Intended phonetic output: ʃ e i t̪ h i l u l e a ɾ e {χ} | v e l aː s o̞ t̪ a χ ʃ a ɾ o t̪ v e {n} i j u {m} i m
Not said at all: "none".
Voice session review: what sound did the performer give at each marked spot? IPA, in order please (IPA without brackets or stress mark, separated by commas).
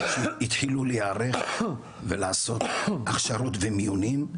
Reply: χ, m, n